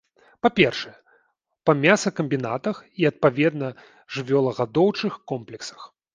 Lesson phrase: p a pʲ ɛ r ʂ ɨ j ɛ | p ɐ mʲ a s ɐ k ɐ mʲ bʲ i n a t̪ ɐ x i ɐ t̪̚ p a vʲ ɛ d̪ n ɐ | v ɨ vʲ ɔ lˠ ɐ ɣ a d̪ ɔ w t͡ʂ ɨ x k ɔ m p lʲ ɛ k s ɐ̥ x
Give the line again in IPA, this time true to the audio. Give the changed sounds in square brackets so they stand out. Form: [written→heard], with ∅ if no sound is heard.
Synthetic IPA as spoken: p a pʲ ɛ r ʂ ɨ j ɛ | p ɐ mʲ a s ɐ k ɐ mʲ bʲ i n a t̪ ɐ x i ɐ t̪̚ p a vʲ ɛ d̪ n ɐ | [v→ʐ] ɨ vʲ ɔ lˠ ɐ ɣ a d̪ ɔ w t͡ʂ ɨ x k ɔ m p lʲ ɛ k s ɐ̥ x